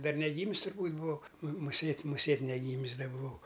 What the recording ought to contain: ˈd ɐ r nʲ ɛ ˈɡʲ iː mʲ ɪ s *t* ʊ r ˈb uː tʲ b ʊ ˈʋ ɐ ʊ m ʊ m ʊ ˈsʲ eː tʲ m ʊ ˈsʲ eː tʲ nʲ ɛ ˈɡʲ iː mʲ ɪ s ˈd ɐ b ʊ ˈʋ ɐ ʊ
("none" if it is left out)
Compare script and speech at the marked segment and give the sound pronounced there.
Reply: t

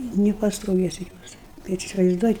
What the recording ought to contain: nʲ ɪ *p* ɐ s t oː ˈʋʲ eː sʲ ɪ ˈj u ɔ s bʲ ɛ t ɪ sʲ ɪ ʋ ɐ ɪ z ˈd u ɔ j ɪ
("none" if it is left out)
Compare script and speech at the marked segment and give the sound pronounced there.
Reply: p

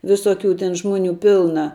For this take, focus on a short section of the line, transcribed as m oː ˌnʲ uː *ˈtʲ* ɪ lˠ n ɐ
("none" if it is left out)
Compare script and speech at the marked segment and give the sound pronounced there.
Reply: pʲ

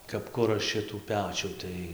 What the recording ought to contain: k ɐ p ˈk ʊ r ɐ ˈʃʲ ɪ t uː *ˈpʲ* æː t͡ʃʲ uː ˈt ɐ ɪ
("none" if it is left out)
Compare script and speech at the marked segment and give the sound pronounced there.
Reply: pʲ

